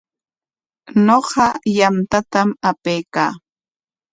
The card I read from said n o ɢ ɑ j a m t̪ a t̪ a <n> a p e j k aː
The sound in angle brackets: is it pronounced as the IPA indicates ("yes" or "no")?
no